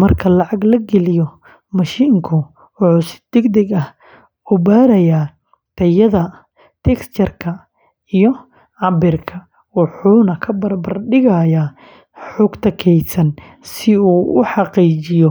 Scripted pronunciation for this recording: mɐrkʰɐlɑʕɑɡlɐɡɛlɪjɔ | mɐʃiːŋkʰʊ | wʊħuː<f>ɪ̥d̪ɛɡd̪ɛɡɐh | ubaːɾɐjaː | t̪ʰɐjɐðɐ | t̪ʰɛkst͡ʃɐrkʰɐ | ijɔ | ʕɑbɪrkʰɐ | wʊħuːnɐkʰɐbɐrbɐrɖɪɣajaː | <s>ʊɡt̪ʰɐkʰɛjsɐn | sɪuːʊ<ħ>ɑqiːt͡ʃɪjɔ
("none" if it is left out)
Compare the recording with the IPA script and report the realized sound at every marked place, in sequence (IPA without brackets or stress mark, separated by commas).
s, ħ, ħ